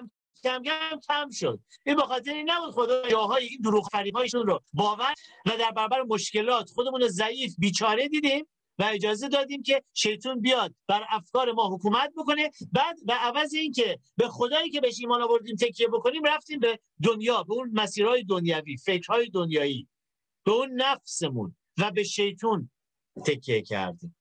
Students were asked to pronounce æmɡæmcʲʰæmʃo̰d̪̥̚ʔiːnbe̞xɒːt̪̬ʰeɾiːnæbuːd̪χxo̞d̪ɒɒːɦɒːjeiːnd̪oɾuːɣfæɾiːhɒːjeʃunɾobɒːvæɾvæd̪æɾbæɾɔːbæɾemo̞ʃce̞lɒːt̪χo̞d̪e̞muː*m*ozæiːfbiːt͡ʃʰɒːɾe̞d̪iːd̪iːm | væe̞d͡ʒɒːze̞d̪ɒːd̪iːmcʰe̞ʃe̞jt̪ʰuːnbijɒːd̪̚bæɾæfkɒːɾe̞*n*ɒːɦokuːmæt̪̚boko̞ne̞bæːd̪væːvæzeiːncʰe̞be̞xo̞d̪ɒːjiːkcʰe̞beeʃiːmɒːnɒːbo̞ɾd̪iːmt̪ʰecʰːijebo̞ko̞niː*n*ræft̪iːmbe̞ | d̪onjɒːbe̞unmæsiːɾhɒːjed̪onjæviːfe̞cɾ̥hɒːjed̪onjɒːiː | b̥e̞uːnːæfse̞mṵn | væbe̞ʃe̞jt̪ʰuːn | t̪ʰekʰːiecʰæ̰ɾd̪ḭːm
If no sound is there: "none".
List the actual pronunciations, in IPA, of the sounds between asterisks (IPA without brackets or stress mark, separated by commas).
n, m, m